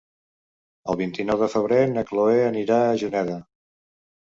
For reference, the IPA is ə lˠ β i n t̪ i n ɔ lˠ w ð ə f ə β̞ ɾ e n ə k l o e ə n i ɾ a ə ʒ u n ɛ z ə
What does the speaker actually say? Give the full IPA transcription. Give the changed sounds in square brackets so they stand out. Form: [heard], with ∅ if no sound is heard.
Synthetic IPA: ə lˠ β i n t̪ i n ɔ [∅] w ð ə f ə β̞ ɾ e n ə k l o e ə n i ɾ a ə ʒ u n ɛ [ð] ə